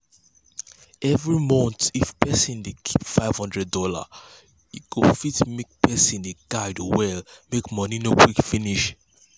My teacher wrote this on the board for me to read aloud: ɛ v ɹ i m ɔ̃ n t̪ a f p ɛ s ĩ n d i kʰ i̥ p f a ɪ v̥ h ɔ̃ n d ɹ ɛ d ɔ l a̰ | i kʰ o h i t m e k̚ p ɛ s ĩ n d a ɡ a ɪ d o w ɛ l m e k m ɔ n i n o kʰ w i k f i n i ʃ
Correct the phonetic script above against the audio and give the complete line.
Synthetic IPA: ɛ v ɹ i m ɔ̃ n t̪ i f p ɛ s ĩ n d e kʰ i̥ p f a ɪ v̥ h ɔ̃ n d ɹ ɛ d ɔ l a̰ | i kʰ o f i t m e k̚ p ɛ s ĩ n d e ɡ a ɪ d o w ɛ l m e k m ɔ n i n o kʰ w i k f i n i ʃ